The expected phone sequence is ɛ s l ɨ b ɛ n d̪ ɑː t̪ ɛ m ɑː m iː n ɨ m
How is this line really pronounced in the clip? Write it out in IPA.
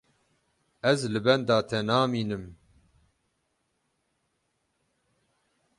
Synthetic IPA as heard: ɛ z l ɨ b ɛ n d̪ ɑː t̪ʰ ɛ n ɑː m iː n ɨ m